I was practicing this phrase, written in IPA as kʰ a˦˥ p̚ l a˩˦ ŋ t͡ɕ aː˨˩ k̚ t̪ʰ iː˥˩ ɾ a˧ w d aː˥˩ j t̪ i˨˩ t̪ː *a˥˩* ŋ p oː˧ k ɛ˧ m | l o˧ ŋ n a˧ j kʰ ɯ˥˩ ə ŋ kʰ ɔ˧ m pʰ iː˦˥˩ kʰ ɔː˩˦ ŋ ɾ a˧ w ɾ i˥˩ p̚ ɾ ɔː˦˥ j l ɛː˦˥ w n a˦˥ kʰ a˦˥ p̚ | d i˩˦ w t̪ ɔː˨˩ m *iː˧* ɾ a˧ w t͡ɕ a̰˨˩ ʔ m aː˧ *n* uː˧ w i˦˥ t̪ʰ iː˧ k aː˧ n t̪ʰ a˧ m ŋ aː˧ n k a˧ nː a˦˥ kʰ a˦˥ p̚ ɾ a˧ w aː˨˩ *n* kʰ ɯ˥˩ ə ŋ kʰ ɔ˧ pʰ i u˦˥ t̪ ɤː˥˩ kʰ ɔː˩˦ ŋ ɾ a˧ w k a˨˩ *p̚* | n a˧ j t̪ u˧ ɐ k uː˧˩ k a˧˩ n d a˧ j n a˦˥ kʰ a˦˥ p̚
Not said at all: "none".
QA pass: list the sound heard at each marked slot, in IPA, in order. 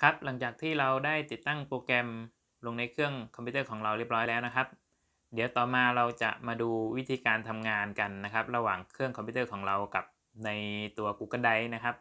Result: a˥˩, aː˧, d, ŋ, p̚

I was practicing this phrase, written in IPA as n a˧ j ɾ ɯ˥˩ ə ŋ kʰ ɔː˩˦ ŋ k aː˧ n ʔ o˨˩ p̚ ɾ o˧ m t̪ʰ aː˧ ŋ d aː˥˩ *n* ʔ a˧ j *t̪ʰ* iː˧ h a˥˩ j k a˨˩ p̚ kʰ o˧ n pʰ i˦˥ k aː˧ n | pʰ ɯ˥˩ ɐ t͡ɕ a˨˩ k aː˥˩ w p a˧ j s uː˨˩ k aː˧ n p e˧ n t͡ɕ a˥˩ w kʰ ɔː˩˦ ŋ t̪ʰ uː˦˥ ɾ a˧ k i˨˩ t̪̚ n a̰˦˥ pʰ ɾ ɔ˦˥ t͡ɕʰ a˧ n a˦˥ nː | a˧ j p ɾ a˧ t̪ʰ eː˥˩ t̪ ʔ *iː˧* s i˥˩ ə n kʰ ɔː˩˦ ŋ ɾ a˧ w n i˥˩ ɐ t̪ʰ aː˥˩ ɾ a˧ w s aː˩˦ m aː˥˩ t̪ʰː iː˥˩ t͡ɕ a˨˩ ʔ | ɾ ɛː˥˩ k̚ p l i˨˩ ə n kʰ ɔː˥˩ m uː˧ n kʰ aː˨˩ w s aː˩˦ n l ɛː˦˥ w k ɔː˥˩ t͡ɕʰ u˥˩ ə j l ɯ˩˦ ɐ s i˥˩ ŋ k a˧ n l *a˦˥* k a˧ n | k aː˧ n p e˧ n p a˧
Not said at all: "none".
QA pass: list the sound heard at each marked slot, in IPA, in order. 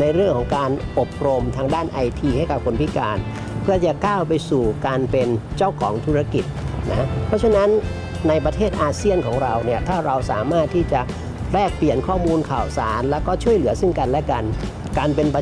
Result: n, t̪ʰ, aː˧, ɛ˦˥

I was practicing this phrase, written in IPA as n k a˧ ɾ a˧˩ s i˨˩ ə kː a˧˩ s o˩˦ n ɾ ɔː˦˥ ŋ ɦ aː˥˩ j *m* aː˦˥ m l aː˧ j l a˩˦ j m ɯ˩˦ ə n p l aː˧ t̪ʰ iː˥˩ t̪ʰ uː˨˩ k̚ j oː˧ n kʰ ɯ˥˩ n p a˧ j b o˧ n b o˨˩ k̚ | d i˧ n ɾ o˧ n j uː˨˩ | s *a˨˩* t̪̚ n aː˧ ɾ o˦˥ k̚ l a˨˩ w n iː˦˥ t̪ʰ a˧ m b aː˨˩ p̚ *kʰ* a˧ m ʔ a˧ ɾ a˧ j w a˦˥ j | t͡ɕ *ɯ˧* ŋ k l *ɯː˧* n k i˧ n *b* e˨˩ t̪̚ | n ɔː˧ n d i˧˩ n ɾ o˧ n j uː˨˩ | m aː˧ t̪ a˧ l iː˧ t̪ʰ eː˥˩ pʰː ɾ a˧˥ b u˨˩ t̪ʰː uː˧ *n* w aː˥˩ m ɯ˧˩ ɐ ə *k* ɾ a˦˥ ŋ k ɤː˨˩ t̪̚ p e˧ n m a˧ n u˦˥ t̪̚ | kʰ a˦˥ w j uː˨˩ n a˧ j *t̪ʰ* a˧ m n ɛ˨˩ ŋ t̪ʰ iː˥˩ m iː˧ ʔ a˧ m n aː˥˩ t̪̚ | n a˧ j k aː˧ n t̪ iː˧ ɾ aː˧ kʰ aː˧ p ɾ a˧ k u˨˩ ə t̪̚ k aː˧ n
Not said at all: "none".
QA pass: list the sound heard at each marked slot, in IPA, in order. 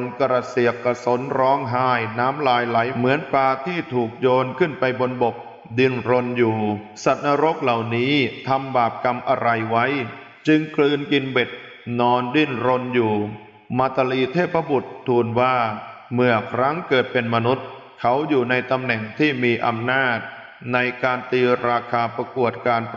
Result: n, a˨˩, k, ɯ˧, ɯː˧, b, n, kʰ, t̪

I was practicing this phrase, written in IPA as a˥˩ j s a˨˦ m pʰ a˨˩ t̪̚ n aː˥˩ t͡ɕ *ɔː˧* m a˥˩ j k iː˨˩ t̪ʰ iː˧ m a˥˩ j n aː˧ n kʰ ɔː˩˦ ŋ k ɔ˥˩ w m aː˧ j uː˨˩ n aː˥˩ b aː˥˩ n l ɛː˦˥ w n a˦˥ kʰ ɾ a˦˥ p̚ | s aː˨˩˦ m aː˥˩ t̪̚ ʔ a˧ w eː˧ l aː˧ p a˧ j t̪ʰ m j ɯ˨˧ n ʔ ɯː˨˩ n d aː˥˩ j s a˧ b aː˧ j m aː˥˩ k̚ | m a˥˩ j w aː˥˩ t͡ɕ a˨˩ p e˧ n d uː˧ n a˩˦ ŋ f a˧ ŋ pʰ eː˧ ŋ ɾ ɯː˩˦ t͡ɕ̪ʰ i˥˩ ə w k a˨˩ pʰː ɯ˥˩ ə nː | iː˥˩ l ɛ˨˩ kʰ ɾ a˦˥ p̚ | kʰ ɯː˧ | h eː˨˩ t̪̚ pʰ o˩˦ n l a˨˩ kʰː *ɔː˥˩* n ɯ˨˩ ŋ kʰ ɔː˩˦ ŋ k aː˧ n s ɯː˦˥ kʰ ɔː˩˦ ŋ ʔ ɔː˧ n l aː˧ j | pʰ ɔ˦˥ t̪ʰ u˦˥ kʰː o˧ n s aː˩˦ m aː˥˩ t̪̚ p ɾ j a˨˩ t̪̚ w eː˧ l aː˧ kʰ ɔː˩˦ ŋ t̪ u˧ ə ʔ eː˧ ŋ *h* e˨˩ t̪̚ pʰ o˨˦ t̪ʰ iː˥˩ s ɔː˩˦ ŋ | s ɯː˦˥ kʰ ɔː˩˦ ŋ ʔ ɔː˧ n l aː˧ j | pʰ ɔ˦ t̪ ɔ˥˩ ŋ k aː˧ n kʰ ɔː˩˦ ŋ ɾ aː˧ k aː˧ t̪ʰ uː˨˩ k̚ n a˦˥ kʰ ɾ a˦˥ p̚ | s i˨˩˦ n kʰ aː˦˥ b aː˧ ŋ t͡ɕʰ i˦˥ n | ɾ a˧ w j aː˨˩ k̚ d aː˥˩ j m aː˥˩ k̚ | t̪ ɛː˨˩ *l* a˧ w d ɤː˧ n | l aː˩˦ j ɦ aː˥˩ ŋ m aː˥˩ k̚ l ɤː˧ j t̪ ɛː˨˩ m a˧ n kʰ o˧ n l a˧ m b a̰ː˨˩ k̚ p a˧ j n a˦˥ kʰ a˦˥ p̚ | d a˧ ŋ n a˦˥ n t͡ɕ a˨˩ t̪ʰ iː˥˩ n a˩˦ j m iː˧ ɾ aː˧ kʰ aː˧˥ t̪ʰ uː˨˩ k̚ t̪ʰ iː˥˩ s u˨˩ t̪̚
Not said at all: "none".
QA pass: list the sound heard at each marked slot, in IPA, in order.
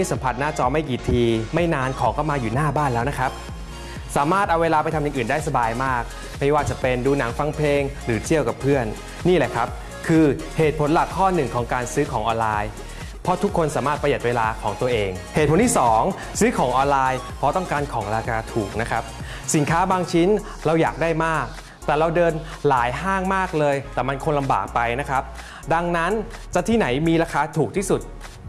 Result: ɔː˧, ɔː˥˩, h, ɾ

